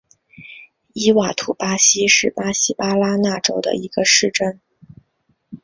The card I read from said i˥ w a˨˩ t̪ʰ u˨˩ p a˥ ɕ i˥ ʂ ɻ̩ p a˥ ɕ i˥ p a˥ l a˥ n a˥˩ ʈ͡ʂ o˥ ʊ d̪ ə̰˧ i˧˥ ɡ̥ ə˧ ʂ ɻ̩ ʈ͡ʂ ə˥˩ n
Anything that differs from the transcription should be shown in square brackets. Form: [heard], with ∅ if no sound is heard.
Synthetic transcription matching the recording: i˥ w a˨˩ t̪ʰ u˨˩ p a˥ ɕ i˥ ʂ ɻ̩ p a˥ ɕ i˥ p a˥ l a˥ n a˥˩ ʈ͡ʂ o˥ ʊ d̪ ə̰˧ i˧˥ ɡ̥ ə˧ ʂ ɻ̩ ʈ͡ʂ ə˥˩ n